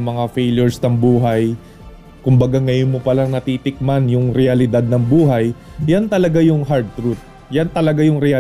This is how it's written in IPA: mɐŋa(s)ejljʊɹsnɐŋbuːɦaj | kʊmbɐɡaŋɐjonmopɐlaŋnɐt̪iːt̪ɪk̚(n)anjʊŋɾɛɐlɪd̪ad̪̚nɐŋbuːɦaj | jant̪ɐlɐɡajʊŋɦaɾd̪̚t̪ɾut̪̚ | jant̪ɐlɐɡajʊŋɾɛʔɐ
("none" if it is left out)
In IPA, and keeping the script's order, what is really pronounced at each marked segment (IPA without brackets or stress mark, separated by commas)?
f, m